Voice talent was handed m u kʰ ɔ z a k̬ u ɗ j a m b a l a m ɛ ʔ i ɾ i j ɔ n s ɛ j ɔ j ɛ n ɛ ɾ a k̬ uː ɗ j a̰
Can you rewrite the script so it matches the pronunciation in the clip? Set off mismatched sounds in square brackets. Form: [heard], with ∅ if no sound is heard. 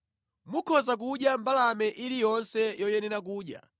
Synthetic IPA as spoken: m u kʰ ɔ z a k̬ u ɗ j a m b a l a m ɛ ʔ i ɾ i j ɔ n s ɛ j ɔ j ɛ n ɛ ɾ a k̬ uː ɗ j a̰